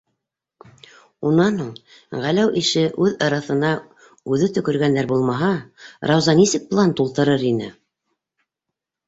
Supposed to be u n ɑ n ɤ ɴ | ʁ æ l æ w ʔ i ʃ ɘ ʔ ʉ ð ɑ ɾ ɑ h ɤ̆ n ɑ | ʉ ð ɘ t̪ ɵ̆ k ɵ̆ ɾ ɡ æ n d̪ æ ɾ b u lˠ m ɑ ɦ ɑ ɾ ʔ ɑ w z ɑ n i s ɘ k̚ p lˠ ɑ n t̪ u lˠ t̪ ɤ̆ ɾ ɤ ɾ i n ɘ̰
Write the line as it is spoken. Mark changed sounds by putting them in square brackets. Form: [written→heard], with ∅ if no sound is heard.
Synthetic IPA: u n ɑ n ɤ ɴ | ʁ æ l æ w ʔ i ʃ ɘ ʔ ʉ ð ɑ ɾ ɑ [h→θ] ɤ̆ n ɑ | ʉ ð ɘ t̪ ɵ̆ k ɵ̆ ɾ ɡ æ n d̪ æ ɾ b u lˠ m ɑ ɦ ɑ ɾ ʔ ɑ w z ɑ n i s ɘ k̚ p lˠ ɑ n t̪ u lˠ t̪ ɤ̆ ɾ ɤ ɾ i n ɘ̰